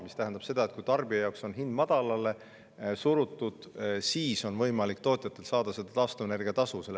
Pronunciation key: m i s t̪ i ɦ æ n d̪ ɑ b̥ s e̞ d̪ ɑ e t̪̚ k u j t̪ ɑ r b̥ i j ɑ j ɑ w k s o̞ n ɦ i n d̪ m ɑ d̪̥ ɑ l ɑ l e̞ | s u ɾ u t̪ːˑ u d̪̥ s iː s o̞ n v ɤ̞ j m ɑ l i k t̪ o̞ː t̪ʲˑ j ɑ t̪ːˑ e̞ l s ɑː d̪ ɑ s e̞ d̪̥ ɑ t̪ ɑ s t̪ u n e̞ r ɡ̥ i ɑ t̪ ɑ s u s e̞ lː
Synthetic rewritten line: m i s t̪ æ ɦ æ n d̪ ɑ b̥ s e̞ d̪ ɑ e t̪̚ k u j t̪ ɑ r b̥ i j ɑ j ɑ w k s o̞ n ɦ i n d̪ m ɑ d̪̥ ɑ l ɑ l e̞ | s u ɾ u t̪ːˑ u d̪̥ s iː s o̞ n v ɤ̞ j m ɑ l i k t̪ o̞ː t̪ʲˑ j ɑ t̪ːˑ e̞ l s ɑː d̪ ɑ s e̞ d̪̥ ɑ t̪ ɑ s t̪ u n e̞ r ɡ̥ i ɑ t̪ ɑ s u s e̞ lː

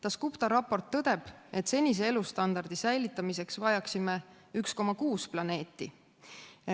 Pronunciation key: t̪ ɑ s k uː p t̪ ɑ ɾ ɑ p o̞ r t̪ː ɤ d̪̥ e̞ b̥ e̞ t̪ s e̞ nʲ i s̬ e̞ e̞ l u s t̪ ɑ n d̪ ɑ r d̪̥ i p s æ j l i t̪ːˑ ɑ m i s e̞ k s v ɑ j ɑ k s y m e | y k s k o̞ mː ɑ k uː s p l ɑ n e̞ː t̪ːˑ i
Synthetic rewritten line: t̪ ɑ s k u p t̪ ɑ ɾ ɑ p o̞ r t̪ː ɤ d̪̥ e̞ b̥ e̞ t̪ s e̞ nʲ i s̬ e̞ e̞ l u s t̪ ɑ n d̪ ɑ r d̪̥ i s æ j l i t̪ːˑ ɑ m i s e̞ k s v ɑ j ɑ k s i m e | y k s k o̞ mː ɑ k uː s p l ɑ n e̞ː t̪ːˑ i

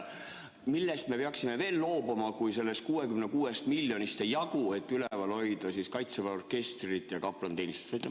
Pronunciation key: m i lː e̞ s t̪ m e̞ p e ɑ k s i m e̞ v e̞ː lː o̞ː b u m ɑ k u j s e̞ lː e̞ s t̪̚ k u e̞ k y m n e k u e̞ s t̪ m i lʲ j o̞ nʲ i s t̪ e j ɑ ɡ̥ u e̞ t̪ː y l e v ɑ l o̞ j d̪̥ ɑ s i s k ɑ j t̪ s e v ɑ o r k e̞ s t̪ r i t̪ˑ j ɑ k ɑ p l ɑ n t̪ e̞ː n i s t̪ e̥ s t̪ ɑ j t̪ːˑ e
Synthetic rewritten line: m i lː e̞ s t̪ m e̞ p e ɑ k s i m e̞ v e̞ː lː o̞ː b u m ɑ k u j s e̞ lː e̞ s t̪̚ k uː e̞ k y m n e k uː e̞ s t̪ m i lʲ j o̞ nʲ i s t̪ e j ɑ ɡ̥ u e̞ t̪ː y l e v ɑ l o̞ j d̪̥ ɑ s i s k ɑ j t̪ s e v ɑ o r k e̞ s t̪ r i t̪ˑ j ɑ k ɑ p l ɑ n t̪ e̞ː n i s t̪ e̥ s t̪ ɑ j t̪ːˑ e

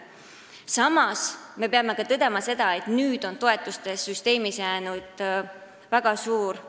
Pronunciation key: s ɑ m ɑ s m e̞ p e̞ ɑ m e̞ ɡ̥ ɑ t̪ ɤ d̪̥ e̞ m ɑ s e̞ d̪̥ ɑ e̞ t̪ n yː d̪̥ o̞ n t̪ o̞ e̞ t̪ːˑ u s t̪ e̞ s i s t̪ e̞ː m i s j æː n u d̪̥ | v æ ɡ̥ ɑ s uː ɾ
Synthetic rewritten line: s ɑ m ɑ s m e̞ p e̞ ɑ m e̞ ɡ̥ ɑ t̪ ɤ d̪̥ e̞ m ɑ s e̞ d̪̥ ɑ e̞ t̪ n yː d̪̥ o̞ n t̪ o̞ e̞ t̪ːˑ u s t̪ e̞ s y s t̪ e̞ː m i s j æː n u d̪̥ | v æ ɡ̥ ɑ s uː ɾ

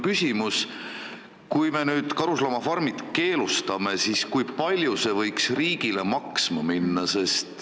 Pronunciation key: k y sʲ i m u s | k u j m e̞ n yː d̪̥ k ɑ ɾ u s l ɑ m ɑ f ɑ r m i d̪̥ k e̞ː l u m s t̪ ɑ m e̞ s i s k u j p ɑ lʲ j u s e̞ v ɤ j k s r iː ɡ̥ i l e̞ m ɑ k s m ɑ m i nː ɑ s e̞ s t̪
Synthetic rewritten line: k y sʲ i m u s | k u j m e̞ n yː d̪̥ k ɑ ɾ u s l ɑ m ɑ f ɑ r m i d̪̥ k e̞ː l u s t̪ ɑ m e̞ s i s k u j p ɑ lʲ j u s e̞ v ɤ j k s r iː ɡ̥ i l e̞ m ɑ k s m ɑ m i nː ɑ s e̞ s t̪

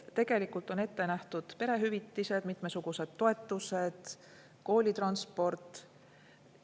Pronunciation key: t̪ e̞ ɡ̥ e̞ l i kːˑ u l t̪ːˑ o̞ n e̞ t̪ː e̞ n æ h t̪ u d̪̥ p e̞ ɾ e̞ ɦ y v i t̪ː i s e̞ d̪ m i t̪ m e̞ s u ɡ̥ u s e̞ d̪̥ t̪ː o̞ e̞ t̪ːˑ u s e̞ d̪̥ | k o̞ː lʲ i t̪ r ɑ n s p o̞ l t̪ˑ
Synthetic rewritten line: t̪ e̞ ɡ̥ e̞ l i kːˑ u l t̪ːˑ o̞ n e̞ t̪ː e̞ n æ h t̪ u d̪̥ p e̞ ɾ e̞ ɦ y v i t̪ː i s e̞ d̪ m i t̪ m e̞ s u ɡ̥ u s e̞ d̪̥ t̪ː o̞ e̞ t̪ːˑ u s e̞ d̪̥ | k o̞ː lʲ i t̪ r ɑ n s p o̞ r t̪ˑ

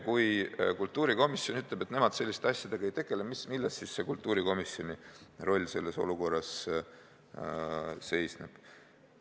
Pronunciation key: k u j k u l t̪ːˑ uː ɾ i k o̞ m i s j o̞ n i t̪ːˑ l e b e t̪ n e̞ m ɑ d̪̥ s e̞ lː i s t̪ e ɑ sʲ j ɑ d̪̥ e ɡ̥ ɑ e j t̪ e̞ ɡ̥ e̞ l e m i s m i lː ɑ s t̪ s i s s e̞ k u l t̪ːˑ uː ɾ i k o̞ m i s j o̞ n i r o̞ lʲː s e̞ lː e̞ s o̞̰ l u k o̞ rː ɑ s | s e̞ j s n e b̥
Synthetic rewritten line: k u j k u l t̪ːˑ uː ɾ i k o̞ m i s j o̞ n y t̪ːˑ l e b e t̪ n e̞ m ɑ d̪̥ s e̞ lː i s t̪ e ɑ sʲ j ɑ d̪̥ e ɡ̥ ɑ e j t̪ e̞ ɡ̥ e̞ l e m i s m i lː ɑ s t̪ s i s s e̞ k u l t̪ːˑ uː ɾ i k o̞ m i s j o̞ n i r o̞ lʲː s e̞ lː e̞ s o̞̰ l u k o̞ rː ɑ s | s e̞ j s n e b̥

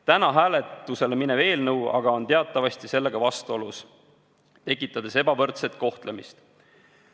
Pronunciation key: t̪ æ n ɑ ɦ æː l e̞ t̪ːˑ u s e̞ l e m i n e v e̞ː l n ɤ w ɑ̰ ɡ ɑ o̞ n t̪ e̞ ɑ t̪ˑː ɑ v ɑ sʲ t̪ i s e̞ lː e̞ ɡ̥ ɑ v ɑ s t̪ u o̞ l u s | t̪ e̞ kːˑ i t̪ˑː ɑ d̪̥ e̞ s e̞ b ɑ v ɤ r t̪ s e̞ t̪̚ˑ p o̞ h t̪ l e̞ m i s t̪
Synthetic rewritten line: t̪ æ n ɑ ɦ æː l e̞ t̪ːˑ u s e̞ l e m i n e v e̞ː l n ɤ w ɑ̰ ɡ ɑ o̞ n t̪ e̞ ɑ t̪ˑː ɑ v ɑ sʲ t̪ i s e̞ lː e̞ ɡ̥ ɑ v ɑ s t̪ u o̞ l u s | t̪ e̞ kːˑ i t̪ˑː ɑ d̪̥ e̞ s e̞ b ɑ v ɤ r t̪ s e̞ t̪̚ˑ k o̞ h t̪ l e̞ m i s t̪

